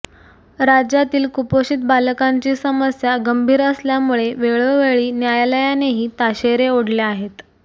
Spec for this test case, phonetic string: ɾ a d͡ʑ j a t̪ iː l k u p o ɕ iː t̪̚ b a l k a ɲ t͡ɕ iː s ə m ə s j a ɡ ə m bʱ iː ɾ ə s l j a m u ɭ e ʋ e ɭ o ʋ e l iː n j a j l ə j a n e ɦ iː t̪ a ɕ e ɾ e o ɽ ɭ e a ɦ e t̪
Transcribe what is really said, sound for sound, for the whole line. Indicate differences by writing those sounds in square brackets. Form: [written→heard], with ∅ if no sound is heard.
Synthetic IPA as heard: ɾ a d͡ʑ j a t̪ iː l k u p o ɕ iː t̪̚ b a l k a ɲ t͡ɕ iː s ə m ə s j a ɡ ə m bʱ iː ɾ ə s l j a m u ɭ e ʋ e ɭ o ʋ e [l→ɭ] iː n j a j l ə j a n e ɦ iː t̪ a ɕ e ɾ e o ɽ [ɭ→l] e a ɦ e t̪

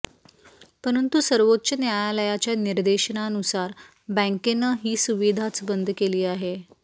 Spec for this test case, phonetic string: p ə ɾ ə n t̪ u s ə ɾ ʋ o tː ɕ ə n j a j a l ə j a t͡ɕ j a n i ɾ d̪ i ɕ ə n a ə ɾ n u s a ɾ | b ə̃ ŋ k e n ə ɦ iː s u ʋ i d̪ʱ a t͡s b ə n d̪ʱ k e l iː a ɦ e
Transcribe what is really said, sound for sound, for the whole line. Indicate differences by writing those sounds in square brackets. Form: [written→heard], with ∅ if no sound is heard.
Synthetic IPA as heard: p ə ɾ ə n t̪ u s ə ɾ ʋ o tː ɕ ə n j a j a l ə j a t͡ɕ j a n i ɾ d̪ [i→e] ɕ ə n a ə [ɾ→∅] n u s a ɾ | b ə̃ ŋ k e n ə ɦ iː s u ʋ i d̪ʱ a t͡s b ə n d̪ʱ k e l iː a ɦ e

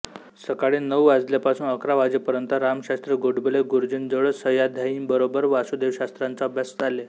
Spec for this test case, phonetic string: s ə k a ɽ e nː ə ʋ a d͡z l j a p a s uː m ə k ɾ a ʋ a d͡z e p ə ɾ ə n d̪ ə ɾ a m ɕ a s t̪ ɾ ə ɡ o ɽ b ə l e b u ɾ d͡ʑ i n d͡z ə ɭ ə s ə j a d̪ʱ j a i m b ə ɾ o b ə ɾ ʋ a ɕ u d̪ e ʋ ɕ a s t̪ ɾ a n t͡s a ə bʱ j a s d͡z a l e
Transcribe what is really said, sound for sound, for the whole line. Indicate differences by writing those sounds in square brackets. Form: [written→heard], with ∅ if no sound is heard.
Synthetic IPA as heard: s ə k a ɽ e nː ə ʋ a d͡z l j a p a s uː [m→n] ə k ɾ a ʋ a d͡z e p ə ɾ ə n [d̪→t̪] ə ɾ a m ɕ a s t̪ ɾ ə ɡ o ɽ b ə l e [b→ɡ] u ɾ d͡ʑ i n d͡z ə ɭ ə s ə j a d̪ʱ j a i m b ə ɾ o b ə ɾ ʋ a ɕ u d̪ e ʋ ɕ a s t̪ ɾ a n t͡s a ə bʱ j a s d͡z a l e

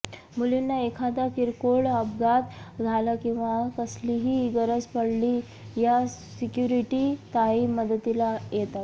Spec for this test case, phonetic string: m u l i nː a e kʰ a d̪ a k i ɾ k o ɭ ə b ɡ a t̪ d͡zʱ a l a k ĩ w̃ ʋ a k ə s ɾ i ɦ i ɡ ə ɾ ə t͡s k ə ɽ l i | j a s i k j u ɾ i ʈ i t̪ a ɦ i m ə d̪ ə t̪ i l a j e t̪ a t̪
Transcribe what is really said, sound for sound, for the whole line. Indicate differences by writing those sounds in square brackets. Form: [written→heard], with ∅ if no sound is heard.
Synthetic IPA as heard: m u l i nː a e kʰ a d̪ a k i ɾ k o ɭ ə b ɡ a t̪ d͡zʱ a l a k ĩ w̃ ʋ a k ə s [ɾ→l] i ɦ i ɡ ə ɾ ə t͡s [k→p] ə ɽ l i | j a s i k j u ɾ i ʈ i t̪ a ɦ i m ə d̪ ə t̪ i l a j e t̪ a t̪

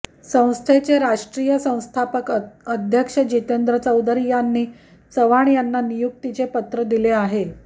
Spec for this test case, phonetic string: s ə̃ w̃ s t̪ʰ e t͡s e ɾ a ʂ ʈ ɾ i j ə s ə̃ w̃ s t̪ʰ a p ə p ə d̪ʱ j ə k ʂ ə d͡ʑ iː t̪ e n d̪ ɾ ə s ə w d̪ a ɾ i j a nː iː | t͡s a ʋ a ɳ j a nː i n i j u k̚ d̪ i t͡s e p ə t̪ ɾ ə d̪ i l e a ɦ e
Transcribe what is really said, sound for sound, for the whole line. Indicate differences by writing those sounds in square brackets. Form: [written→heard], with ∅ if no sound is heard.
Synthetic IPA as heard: s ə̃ w̃ s t̪ʰ e t͡s e ɾ a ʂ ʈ ɾ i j ə s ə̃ w̃ s t̪ʰ a p ə [p→k] ə d̪ʱ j ə k ʂ ə d͡ʑ [iː→i] t̪ e n d̪ ɾ ə [s→t͡s] ə w d̪ [a→ə] ɾ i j a nː iː | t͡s [a→ə] ʋ a ɳ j a nː [i→a] n i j u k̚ [d̪→t̪] i t͡s e p ə t̪ ɾ ə d̪ i l e a ɦ e

